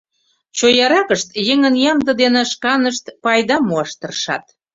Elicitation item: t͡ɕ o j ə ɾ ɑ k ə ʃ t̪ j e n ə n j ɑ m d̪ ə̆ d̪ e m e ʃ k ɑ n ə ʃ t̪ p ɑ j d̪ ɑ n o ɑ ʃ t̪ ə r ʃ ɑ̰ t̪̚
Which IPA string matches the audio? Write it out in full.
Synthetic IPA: t͡ɕ o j ɑ ɾ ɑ k ə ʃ t̪ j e ŋ ə n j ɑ m d̪ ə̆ d̪ e n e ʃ k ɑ n ə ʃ t̪ p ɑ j d̪ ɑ m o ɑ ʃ t̪ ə r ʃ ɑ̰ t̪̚

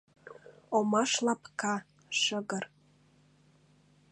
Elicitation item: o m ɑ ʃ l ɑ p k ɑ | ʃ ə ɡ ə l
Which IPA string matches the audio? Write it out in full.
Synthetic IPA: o m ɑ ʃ l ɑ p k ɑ | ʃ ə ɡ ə r

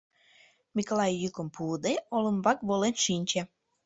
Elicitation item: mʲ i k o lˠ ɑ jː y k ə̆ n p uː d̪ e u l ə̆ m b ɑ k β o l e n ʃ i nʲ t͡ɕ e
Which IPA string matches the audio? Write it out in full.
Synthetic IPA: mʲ i k o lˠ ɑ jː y k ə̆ m p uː d̪ e o l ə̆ m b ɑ k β o l e n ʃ i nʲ t͡ɕ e

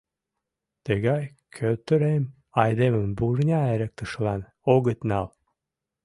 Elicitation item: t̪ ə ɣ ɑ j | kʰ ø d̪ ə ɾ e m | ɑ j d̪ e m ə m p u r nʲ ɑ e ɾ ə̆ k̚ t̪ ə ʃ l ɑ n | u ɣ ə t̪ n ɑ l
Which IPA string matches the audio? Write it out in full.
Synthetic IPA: t̪ ə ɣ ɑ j | kʰ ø t̪ ə ɾ e m | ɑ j d̪ e m ə m b u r nʲ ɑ e ɾ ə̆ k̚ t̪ ə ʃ l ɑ n | o ɣ ə t̪ n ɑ l

